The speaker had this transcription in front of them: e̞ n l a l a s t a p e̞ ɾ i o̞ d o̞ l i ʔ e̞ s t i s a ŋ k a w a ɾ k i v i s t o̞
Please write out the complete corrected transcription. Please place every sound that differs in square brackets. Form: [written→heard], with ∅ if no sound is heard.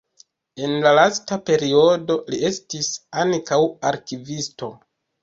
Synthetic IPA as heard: e̞ n l a l a s t a p e̞ ɾ i o̞ d o̞ l i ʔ e̞ s t i s a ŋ k a w a ɾ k i v i s t o̞